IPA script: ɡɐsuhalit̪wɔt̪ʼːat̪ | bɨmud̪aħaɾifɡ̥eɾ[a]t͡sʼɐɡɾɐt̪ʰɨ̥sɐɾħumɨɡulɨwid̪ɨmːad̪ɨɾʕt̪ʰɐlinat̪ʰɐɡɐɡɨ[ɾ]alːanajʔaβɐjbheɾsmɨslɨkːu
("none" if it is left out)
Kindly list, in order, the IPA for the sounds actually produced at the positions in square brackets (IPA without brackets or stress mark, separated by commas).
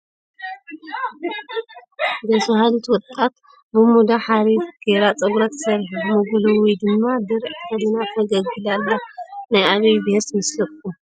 a, l